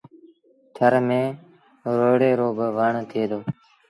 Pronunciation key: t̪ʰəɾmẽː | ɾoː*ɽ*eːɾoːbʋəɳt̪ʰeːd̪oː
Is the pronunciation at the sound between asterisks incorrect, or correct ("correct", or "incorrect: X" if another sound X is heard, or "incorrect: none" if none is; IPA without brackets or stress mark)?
correct